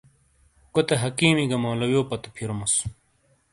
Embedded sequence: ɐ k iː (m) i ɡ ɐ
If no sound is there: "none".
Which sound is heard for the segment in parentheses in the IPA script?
m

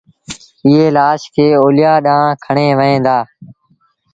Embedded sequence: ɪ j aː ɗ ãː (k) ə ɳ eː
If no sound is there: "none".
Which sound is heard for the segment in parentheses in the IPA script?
kʰ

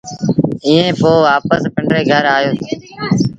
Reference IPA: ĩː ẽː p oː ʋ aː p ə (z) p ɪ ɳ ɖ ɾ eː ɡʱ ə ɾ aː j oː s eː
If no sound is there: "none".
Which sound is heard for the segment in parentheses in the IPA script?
s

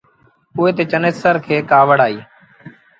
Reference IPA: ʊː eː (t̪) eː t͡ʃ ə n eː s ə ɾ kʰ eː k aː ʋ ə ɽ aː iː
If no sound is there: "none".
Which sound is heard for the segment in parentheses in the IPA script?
t̪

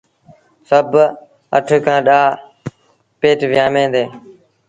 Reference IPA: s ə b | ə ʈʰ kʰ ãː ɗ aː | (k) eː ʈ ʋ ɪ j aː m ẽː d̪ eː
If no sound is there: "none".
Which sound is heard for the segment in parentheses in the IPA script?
p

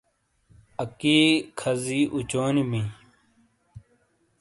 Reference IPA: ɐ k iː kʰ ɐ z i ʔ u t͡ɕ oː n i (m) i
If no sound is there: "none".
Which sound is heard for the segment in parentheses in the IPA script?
m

